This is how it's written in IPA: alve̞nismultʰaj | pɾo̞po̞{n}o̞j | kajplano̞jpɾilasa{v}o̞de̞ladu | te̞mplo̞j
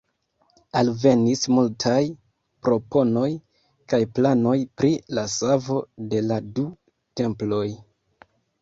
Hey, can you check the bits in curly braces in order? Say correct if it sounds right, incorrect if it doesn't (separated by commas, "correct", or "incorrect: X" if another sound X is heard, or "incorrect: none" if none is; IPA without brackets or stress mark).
correct, correct